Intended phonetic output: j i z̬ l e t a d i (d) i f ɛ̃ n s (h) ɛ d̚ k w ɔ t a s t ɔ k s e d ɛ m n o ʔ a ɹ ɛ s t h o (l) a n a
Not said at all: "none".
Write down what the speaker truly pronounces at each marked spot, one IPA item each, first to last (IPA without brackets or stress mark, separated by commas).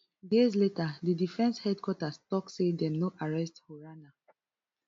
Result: d, h, ɹ